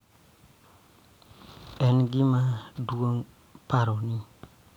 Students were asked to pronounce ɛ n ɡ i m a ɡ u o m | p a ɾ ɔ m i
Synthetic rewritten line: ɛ n ɡ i m a d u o ŋ | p a ɾ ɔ n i